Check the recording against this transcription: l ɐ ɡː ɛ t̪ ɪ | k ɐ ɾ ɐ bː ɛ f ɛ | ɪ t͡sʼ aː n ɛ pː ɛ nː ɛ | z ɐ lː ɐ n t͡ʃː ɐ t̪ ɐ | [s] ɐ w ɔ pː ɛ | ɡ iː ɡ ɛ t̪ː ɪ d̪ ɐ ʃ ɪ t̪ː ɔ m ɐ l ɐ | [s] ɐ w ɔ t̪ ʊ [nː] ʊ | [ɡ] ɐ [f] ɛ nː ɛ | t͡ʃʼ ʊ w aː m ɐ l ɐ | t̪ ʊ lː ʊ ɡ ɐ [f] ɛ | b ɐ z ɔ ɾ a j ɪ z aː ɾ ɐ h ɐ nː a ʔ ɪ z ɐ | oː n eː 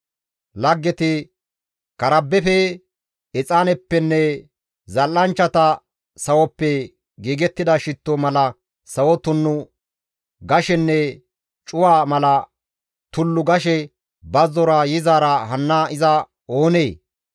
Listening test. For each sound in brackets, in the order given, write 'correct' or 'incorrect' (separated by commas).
correct, correct, correct, correct, incorrect, incorrect